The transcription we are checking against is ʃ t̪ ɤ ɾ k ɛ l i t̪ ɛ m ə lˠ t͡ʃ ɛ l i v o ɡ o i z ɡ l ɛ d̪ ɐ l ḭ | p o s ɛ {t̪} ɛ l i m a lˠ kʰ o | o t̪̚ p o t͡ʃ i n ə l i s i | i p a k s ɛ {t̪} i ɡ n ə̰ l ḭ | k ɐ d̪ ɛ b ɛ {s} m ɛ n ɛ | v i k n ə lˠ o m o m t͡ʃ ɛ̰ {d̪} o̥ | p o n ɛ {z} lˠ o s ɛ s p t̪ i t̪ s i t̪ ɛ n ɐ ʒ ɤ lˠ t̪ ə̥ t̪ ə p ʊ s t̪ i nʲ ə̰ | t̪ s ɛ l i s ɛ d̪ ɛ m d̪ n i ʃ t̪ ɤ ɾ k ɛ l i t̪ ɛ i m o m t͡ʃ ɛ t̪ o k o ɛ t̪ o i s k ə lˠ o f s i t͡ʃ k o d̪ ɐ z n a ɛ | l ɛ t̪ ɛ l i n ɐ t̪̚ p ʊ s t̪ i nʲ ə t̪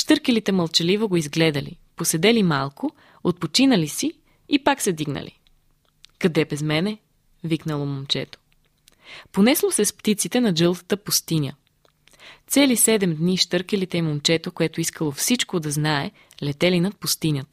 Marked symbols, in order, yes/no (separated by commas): no, no, no, no, no